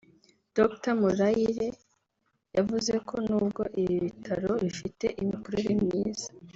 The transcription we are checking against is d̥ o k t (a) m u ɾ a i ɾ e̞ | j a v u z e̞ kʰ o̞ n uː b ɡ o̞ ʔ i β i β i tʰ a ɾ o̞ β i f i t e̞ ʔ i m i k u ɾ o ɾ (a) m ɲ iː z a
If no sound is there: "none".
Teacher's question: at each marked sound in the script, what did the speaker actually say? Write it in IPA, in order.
a, i

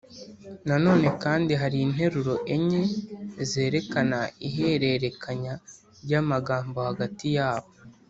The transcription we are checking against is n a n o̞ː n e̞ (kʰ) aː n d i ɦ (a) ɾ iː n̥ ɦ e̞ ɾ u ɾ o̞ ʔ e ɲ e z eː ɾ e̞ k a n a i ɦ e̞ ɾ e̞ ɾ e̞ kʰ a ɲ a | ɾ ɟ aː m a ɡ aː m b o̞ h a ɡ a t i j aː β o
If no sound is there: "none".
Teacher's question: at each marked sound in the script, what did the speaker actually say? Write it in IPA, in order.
k, a

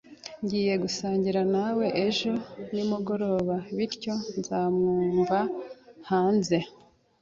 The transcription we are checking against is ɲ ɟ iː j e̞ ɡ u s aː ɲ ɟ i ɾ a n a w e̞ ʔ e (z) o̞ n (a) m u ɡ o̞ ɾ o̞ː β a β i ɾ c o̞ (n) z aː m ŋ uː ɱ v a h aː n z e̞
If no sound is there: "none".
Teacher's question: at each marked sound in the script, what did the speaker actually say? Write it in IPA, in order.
ʒ, i, n

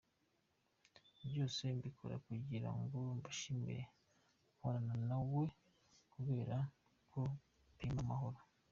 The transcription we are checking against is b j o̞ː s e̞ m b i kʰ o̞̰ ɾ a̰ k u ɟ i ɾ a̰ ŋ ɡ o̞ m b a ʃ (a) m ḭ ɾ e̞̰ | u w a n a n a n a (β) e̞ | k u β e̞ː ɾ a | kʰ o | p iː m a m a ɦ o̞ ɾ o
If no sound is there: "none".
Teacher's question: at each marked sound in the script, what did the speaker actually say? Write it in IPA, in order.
i, w

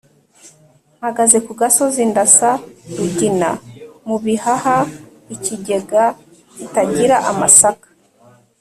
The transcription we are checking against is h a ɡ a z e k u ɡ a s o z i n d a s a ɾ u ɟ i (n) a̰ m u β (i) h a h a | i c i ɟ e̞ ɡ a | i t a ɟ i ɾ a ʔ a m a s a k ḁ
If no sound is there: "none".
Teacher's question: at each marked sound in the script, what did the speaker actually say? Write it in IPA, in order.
n, i

